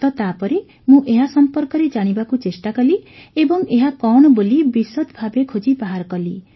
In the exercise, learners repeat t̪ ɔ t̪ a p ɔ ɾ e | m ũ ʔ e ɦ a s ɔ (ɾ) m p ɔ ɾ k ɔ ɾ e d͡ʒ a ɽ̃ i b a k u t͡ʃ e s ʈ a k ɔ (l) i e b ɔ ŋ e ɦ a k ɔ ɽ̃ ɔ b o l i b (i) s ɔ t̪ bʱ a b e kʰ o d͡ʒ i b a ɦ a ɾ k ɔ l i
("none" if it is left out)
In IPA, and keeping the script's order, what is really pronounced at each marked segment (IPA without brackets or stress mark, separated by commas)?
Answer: none, l, i